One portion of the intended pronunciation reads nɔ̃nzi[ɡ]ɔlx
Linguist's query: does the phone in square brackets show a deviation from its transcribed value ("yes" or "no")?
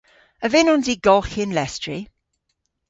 no